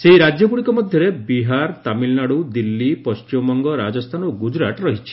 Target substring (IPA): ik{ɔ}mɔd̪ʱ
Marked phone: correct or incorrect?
correct